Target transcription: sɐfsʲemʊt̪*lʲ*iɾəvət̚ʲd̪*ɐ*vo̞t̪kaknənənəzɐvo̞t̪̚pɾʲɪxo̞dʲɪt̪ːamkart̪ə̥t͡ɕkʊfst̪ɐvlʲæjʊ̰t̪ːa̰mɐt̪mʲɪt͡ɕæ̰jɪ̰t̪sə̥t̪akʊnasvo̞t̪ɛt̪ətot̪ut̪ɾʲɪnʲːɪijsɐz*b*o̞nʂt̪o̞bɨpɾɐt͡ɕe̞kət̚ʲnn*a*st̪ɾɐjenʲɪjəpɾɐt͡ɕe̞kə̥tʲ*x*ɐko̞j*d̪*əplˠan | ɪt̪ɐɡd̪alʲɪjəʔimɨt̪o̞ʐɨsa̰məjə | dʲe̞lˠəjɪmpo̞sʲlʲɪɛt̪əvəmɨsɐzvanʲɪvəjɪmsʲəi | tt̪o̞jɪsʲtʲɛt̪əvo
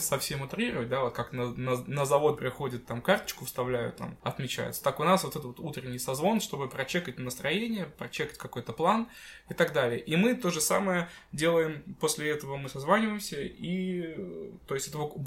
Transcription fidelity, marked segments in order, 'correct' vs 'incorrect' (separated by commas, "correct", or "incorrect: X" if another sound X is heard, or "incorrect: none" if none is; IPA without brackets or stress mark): incorrect: ɾʲ, incorrect: a, incorrect: v, incorrect: ə, incorrect: k, incorrect: t̪